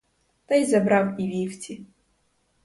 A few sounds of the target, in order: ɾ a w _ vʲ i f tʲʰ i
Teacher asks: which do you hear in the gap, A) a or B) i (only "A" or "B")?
B